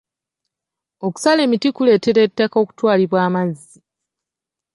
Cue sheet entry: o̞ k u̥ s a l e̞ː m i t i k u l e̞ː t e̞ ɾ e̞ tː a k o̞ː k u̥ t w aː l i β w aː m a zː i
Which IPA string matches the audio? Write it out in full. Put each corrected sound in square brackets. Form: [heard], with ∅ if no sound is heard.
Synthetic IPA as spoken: o̞ k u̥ s a l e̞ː m i t i k u l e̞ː t e̞ ɾ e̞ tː a k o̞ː k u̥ t w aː l i β w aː m a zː i

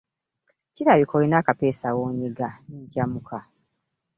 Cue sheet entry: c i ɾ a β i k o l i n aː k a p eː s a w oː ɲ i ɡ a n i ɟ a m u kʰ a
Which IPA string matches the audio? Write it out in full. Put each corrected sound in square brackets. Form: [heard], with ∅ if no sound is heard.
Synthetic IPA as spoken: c i ɾ a β i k o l i n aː k a p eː s a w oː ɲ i ɡ a n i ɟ a m u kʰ a

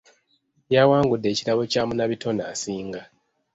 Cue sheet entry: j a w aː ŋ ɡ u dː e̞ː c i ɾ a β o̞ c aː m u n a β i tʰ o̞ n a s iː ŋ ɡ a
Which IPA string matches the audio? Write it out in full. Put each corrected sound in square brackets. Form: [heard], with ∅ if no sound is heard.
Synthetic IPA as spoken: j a w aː ŋ ɡ u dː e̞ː c i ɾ a β o̞ c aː m u n a β i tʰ o̞ n a s iː ŋ ɡ a

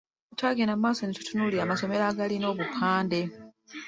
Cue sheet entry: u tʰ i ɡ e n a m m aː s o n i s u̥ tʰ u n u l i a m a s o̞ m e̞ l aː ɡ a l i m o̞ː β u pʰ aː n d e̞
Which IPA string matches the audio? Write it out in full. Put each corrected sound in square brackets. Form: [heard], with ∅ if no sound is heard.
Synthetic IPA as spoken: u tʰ [a] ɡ e n a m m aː s o n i [t] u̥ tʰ u n u l i a m a s o̞ m e̞ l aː ɡ a l i [n] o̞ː β u pʰ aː n d e̞

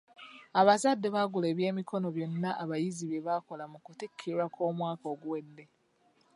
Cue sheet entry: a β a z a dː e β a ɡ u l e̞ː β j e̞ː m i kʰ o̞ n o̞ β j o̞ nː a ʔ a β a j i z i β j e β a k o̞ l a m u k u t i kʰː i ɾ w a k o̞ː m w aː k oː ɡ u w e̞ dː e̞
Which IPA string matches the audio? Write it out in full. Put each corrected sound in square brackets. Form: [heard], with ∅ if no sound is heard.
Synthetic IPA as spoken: a β a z a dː e β a ɡ u l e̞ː β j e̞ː m i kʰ o̞ n o̞ β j o̞ nː a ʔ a β a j i z i β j e β a k o̞ l a m u k u t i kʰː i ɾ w a k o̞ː m w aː k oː ɡ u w e̞ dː e̞

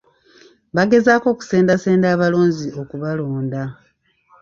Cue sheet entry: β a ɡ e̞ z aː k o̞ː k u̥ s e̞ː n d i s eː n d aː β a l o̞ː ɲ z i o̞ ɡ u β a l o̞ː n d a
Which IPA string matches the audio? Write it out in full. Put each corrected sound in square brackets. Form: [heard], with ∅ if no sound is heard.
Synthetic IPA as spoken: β a ɡ e̞ z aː k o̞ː k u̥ s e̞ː n d [a] s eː n d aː β a l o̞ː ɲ z i o̞ [k] u β a l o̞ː n d a

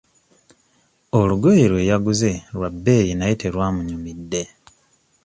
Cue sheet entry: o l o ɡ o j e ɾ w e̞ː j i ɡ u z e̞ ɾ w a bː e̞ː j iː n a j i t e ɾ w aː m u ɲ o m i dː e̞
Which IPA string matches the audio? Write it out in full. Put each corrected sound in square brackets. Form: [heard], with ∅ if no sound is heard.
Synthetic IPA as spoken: o l [u] ɡ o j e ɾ w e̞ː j [a] ɡ u z e̞ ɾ w a bː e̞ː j [i] n a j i t e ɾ w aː m u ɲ [u] m i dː e̞

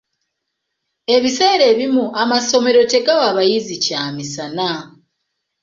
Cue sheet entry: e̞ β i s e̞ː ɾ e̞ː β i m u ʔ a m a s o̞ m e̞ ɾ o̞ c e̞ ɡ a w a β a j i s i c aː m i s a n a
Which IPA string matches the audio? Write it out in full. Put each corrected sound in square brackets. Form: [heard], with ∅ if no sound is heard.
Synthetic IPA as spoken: e̞ β i s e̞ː ɾ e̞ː β i m u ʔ a m a s o̞ m e̞ ɾ o̞ [t] e̞ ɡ a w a β a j i [z] i c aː m i s a n a

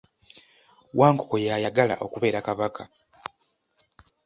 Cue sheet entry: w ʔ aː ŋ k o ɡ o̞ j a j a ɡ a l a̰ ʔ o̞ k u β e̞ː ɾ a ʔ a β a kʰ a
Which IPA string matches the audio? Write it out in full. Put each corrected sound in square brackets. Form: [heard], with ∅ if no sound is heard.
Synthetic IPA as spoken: w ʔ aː ŋ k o [k] o̞ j a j a ɡ a l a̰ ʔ o̞ k u β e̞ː ɾ a [k] a β a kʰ a

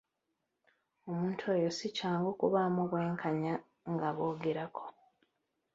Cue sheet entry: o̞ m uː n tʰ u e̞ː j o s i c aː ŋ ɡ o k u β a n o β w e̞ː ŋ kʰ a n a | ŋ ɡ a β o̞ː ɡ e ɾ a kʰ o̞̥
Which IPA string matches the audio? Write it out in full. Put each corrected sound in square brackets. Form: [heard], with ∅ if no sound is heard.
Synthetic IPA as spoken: o̞ m uː n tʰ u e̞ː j o s i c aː ŋ ɡ o k u β a [m] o β w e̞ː ŋ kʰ a [ɲ] a | ŋ ɡ a β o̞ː ɡ e ɾ a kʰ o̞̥

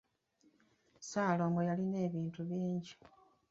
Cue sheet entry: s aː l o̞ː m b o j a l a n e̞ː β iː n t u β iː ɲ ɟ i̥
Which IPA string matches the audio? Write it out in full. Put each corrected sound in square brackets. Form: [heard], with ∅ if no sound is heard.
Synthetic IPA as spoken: s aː l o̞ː m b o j a l [i] n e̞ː β iː n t u β iː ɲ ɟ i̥

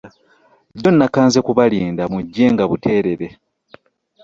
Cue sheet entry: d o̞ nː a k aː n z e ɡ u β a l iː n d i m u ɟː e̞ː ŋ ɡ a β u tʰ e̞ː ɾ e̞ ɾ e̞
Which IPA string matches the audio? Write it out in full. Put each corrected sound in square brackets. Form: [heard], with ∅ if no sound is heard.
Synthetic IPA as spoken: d o̞ nː a k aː n z e [k] u β a l iː n d [a] m u ɟː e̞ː ŋ ɡ a β u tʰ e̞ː ɾ e̞ ɾ e̞

